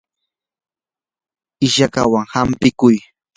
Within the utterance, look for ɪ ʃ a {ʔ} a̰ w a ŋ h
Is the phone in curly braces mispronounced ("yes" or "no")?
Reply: yes